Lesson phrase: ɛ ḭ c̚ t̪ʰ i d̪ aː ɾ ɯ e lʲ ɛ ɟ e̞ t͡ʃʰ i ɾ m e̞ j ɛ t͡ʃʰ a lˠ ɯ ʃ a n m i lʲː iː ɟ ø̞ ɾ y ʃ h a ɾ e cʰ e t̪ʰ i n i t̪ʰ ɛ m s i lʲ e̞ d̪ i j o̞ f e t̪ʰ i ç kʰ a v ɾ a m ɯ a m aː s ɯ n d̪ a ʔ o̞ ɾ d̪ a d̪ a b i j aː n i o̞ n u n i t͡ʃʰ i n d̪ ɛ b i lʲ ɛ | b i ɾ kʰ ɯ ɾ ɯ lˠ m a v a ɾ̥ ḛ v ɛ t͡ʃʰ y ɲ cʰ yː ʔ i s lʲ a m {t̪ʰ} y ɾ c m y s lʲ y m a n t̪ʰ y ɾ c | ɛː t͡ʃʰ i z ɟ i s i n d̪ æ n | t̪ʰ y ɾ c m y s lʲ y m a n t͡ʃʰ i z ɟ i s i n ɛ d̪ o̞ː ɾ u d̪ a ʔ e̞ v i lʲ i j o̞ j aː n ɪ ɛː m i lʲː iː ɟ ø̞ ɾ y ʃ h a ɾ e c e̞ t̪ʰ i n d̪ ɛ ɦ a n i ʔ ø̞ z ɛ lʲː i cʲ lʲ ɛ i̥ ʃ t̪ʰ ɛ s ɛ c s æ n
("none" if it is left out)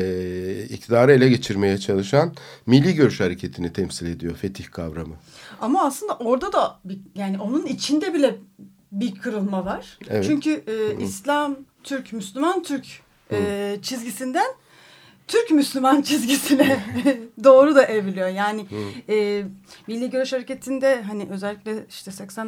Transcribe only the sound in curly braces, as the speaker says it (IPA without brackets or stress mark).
t̪ʰ